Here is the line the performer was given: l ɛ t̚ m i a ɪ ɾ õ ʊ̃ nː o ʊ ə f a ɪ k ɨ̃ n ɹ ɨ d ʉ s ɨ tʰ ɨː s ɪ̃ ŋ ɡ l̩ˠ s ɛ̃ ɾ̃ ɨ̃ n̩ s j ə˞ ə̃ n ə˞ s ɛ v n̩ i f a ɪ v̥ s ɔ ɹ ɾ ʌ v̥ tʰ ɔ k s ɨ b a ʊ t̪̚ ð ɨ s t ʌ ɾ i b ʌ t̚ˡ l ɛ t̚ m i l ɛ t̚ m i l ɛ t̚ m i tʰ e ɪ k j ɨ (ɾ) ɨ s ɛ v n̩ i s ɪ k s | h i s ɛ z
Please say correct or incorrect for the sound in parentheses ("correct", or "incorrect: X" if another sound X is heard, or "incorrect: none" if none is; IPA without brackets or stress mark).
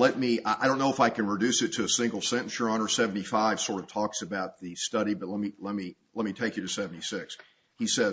correct